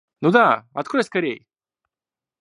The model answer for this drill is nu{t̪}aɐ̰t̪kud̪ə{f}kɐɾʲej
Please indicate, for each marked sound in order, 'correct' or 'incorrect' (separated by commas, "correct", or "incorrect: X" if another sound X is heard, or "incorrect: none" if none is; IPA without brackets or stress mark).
incorrect: d̪, incorrect: s